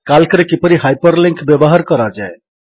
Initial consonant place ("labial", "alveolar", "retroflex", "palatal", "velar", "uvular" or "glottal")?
velar